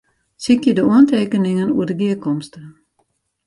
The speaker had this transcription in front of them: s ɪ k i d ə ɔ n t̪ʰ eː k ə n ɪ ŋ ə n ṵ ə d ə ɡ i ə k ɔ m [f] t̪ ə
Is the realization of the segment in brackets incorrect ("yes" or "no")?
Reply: yes